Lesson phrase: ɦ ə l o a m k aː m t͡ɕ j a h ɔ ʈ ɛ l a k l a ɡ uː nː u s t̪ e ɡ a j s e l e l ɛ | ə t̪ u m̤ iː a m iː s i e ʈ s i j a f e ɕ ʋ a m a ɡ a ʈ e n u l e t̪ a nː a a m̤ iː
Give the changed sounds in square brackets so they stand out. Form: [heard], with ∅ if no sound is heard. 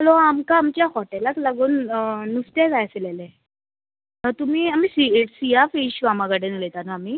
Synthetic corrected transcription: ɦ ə l o a m k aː m t͡ɕ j a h ɔ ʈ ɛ l a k l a ɡ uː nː u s t̪ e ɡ a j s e l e l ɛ | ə t̪ u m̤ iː a m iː s i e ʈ s i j a f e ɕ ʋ a m a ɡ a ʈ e n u l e t̪ a [n] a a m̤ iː